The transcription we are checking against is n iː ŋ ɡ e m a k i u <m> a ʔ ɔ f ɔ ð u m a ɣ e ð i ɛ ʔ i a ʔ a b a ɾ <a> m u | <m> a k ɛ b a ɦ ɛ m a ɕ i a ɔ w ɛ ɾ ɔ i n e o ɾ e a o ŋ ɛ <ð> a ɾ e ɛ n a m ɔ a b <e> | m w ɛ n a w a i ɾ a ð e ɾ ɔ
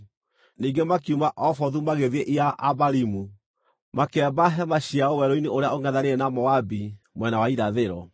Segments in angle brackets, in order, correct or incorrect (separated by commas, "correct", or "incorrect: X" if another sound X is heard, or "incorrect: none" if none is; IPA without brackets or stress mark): correct, incorrect: i, correct, correct, incorrect: i